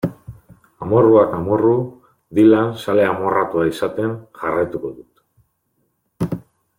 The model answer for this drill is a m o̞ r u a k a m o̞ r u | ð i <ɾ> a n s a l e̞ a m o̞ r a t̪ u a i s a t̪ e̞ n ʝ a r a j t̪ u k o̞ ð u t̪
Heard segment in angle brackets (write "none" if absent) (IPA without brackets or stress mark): l